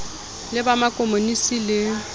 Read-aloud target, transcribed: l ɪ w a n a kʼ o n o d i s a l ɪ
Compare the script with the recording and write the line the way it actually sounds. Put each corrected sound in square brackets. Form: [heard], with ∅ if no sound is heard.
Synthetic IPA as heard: l ɪ [b] a [m] a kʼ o [m] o [n] i s [i] l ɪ